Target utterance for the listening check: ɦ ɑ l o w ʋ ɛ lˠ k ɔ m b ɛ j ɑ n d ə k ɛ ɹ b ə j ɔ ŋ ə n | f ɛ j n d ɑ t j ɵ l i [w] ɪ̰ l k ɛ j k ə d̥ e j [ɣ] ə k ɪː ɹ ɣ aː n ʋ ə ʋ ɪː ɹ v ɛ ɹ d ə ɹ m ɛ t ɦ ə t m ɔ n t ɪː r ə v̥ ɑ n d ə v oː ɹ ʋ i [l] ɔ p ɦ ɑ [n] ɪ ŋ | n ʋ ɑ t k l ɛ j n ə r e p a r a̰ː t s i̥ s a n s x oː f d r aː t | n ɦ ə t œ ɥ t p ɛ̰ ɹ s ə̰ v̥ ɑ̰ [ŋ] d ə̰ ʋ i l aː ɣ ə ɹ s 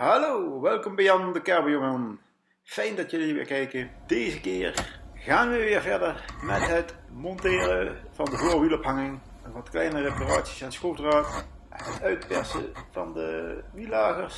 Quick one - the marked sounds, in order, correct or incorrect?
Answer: incorrect: ʋ, incorrect: z, correct, incorrect: ŋ, incorrect: n

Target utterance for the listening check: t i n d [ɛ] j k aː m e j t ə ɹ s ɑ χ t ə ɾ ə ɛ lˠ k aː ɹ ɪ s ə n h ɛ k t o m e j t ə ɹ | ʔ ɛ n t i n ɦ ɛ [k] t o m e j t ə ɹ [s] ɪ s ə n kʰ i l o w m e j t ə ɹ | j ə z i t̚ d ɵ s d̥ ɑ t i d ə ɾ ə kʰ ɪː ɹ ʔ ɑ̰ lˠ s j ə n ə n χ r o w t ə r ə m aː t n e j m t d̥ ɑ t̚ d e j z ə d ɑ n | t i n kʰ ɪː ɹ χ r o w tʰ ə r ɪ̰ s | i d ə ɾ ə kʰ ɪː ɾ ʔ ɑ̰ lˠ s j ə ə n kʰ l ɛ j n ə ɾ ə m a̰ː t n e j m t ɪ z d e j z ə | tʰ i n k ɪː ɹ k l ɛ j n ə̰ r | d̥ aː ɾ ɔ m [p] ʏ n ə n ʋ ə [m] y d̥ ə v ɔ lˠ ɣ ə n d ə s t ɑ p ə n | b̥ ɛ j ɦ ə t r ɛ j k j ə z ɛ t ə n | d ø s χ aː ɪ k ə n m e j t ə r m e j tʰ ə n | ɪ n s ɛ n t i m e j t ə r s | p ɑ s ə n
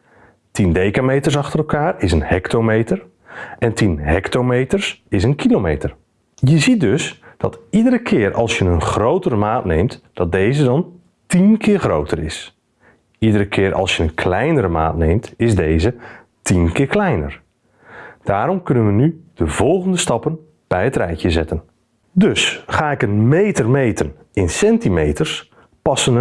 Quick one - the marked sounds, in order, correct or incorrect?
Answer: incorrect: e, correct, correct, incorrect: k, incorrect: n

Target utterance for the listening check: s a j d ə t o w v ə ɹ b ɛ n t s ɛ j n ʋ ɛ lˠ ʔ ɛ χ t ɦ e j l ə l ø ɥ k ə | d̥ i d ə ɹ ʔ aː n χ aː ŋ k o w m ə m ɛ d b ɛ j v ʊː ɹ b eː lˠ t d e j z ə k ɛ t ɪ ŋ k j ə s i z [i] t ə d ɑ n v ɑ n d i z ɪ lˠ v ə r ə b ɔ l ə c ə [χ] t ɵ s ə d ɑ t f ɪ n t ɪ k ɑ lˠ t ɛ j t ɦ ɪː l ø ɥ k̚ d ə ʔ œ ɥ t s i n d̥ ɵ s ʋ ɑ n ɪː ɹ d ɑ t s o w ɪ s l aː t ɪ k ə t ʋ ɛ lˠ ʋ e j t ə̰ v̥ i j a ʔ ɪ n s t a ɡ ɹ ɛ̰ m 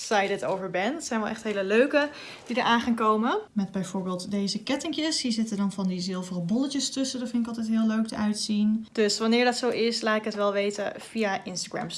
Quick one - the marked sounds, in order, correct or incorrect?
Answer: incorrect: ɪ, incorrect: s

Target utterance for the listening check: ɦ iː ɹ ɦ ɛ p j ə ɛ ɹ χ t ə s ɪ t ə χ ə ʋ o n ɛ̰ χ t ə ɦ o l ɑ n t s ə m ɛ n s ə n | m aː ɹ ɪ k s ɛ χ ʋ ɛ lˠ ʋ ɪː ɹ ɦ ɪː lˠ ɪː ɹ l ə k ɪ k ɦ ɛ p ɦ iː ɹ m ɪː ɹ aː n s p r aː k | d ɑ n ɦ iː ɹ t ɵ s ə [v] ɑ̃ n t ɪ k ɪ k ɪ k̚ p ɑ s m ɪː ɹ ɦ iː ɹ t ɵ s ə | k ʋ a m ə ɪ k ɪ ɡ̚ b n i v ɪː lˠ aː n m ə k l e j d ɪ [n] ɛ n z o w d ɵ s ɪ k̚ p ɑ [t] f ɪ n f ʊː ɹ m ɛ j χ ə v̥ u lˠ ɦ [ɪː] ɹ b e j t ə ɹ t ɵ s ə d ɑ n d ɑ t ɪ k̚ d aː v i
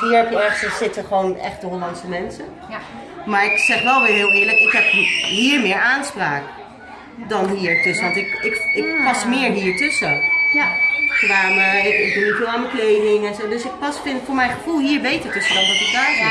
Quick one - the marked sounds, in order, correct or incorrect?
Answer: incorrect: ʋ, incorrect: ŋ, incorrect: s, incorrect: iː

